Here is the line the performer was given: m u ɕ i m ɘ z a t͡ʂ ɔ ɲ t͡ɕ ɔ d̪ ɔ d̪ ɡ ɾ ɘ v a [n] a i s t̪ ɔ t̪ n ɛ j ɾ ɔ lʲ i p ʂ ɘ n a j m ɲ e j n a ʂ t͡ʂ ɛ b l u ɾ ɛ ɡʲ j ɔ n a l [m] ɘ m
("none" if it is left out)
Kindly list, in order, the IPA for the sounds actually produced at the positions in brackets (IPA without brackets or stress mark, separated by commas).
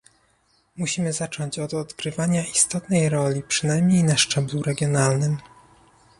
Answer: ɲ, n